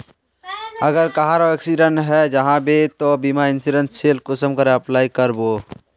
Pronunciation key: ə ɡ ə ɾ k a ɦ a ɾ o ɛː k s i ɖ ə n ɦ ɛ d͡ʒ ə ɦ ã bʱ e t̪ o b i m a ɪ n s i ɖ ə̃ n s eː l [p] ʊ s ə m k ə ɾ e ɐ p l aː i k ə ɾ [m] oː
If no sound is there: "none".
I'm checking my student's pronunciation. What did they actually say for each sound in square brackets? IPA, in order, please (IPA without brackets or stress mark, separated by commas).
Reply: k, b